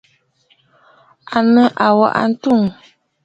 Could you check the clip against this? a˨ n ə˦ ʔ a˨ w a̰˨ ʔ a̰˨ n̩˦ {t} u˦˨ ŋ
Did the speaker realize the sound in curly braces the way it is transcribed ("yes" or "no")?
yes